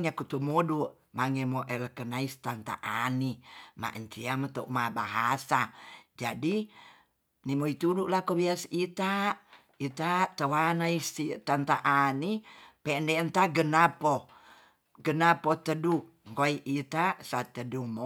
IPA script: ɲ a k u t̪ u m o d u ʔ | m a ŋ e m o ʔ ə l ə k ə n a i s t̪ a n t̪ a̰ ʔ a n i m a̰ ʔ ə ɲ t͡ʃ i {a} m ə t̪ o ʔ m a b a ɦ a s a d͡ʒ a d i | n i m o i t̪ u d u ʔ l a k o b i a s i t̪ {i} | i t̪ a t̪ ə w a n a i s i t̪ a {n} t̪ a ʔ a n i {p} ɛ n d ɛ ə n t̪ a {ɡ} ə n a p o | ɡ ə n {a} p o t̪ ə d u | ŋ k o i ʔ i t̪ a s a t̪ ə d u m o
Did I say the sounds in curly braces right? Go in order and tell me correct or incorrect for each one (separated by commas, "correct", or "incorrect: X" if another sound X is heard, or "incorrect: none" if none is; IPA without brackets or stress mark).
correct, incorrect: a, correct, correct, correct, correct